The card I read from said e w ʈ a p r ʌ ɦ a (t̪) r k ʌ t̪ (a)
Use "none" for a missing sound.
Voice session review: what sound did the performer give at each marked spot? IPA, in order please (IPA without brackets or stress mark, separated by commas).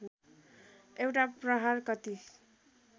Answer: none, i